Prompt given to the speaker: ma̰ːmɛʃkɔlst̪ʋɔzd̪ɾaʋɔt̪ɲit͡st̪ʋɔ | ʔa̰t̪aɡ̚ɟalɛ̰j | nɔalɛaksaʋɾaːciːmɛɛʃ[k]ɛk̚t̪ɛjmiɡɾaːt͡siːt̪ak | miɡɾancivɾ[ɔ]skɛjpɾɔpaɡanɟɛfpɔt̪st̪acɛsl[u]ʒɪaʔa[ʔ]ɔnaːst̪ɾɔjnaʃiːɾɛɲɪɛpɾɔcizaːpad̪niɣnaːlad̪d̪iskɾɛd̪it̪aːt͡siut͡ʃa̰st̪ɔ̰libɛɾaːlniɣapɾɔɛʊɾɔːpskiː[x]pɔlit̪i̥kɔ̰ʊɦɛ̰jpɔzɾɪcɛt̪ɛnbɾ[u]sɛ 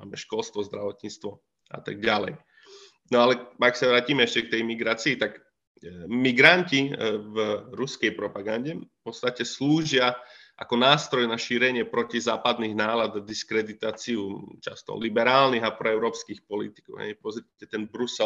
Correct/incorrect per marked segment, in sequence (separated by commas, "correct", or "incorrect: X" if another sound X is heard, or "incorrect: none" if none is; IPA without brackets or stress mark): incorrect: c, incorrect: u, incorrect: uː, incorrect: k, correct, correct